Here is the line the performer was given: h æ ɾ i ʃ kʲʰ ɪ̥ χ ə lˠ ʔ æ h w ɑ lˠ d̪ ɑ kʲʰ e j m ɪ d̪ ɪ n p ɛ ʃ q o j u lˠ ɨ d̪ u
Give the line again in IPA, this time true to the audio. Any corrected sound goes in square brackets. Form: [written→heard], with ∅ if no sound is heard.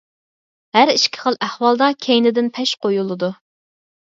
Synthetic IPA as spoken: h æ ɾ i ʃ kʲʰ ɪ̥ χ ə lˠ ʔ æ h w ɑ lˠ d̪ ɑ kʲʰ e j [m→n] ɪ d̪ ɪ n [p→pʰ] ɛ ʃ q o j u lˠ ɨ d̪ u